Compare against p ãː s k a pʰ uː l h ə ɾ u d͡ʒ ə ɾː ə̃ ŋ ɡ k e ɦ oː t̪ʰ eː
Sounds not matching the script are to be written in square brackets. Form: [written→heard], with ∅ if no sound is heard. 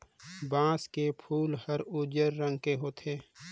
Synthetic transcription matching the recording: [p→b] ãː s k [a→e] pʰ uː l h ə ɾ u d͡ʒ ə ɾː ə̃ ŋ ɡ k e ɦ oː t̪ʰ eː